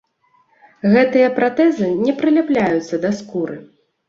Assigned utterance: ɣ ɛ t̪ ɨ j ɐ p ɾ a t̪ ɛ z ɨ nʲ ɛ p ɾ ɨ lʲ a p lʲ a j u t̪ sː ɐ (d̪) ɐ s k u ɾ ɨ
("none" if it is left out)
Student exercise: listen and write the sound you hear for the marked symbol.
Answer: d̪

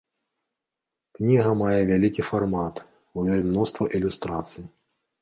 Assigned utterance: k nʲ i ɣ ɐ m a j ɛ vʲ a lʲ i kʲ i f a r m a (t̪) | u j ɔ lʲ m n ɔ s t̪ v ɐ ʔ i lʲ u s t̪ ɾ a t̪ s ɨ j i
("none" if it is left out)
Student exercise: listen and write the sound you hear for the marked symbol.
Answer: t̪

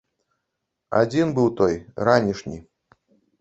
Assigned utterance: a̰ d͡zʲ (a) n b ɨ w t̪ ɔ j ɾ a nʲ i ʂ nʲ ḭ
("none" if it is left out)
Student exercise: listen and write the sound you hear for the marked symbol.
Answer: i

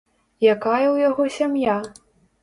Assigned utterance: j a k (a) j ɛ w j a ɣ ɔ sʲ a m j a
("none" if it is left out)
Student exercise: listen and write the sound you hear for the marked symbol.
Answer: a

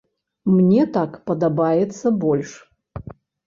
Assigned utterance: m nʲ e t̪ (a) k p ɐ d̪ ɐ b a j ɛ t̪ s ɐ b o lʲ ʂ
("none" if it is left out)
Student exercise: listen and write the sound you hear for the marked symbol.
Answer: a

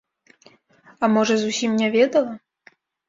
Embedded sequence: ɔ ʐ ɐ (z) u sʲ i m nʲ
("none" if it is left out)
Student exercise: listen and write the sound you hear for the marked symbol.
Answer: z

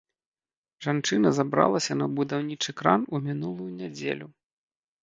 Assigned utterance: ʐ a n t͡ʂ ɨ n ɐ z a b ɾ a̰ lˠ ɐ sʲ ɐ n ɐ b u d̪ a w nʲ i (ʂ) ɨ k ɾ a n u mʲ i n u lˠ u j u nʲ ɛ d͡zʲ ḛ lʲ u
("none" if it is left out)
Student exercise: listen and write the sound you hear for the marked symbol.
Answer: t͡ʂ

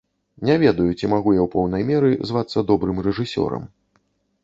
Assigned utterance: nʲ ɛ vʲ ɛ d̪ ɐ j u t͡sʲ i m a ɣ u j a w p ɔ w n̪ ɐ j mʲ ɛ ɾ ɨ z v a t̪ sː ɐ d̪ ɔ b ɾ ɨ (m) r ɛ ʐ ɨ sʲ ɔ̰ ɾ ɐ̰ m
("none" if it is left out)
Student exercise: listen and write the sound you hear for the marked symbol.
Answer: m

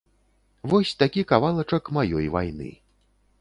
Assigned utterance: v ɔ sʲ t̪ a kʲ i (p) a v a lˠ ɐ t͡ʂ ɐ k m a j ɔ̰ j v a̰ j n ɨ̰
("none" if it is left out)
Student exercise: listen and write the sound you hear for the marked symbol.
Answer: k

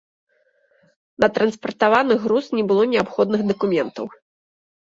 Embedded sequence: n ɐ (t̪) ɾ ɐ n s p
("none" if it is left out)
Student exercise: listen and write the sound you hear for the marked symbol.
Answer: t̪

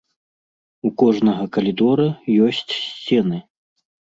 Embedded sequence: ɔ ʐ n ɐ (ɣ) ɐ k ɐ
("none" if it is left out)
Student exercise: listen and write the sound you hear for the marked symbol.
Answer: ɣ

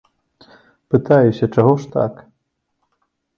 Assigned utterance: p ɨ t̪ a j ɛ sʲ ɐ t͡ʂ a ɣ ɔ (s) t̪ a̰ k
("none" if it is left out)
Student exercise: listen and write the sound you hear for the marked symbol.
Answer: ʂ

